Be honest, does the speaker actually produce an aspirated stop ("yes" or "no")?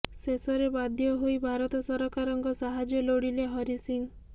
no